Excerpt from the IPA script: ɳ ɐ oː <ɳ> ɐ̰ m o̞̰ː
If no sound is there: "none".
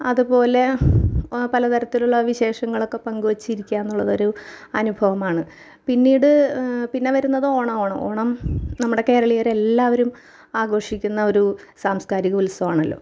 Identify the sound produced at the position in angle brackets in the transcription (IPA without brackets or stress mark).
ɳ